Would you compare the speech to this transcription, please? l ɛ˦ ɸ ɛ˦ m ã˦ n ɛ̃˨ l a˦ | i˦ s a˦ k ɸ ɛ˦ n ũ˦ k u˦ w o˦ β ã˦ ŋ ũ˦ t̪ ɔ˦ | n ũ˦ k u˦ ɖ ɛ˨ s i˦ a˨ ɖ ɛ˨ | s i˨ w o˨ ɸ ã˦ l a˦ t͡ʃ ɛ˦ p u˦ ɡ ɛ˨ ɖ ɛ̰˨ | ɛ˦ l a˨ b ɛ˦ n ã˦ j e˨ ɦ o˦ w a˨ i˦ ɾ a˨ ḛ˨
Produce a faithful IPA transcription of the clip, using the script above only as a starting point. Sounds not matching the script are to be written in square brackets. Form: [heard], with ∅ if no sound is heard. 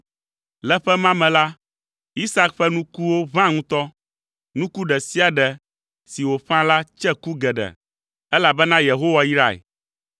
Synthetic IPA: l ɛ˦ ɸ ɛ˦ m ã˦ [m] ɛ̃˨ l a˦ | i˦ s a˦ k ɸ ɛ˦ n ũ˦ k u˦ w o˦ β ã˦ ŋ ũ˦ t̪ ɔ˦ | n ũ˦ k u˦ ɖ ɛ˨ s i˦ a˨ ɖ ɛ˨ | s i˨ w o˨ ɸ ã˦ l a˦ t͡ʃ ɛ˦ [k] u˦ ɡ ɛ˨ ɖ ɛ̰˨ | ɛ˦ l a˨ b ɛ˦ n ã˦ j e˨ ɦ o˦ w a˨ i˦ ɾ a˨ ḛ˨